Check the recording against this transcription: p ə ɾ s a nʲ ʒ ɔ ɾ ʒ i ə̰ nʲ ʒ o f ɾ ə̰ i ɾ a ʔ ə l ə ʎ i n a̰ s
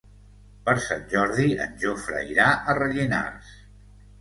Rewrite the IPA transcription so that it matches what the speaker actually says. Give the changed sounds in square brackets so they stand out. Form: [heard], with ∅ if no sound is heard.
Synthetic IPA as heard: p ə ɾ s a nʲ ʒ ɔ ɾ [ð] i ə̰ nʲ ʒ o f ɾ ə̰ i ɾ a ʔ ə [r] ə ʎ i n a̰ s

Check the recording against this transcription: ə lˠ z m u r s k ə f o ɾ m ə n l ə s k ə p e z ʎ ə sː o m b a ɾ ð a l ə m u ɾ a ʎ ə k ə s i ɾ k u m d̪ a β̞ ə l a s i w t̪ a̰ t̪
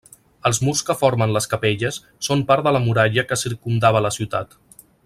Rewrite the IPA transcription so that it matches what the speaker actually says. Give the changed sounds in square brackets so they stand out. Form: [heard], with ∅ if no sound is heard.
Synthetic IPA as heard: ə lˠ z m u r s k ə f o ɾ m ə n l ə s k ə p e [∅] ʎ ə sː o m [p] a ɾ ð [ə] l ə m u ɾ a ʎ ə k ə s i ɾ k u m d̪ a β̞ ə l [ə] s i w t̪ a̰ t̪

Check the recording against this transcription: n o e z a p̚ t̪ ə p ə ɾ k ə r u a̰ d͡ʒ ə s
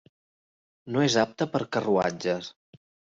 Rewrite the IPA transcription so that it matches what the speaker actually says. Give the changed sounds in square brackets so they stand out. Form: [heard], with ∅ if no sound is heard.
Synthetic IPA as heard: n o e z a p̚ t̪ ə p ə ɾ k ə r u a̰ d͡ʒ ə s

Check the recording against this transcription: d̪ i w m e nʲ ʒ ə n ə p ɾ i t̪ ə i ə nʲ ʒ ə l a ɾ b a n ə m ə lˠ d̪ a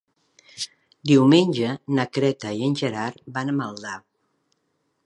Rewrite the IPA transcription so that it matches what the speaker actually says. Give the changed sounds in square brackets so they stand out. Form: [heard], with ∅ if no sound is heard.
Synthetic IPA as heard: d̪ i w m e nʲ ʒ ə n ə [k] ɾ [ɛ] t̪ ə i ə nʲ ʒ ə [ɾ] a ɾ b a n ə m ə lˠ d̪ a

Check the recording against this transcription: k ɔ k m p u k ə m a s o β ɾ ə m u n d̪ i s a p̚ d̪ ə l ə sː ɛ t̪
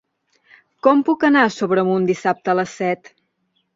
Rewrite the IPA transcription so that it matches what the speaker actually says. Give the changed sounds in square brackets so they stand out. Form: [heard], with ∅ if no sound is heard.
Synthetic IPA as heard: k ɔ [∅] m p u k ə [n] a s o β ɾ ə m u n d̪ i s a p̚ [t̪] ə l ə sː ɛ t̪

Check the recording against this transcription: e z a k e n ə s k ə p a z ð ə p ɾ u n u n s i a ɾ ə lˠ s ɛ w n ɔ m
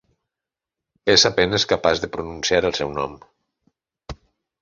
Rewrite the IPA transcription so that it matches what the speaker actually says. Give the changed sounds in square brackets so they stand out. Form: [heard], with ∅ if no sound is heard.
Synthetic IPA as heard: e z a [p] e n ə s k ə p a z ð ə p ɾ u n u n s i a ɾ ə lˠ s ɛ w n ɔ m

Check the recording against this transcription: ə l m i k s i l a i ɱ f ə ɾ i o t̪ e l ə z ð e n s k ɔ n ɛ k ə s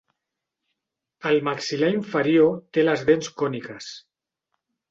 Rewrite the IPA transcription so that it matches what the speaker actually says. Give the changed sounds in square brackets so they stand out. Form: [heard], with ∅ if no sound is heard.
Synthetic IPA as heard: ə l m [a] k s i l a i ɱ f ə ɾ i o t̪ e l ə z ð e n s k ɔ n [i] k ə s

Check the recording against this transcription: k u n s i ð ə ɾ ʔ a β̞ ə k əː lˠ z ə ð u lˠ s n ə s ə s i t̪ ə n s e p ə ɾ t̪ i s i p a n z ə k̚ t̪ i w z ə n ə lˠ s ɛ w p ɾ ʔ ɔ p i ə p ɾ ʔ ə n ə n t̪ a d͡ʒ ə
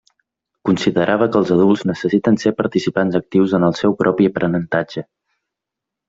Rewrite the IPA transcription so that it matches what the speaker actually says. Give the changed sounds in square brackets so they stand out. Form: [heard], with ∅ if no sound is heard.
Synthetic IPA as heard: k u n s i ð ə ɾ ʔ a β̞ ə k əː lˠ z ə ð u lˠ [z] n ə s ə s i t̪ ə n s e p ə ɾ t̪ i s i p a n z ə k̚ t̪ i w z ə n ə lˠ s ɛ w p ɾ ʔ ɔ p i ə p ɾ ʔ ə n ə n t̪ a d͡ʒ ə

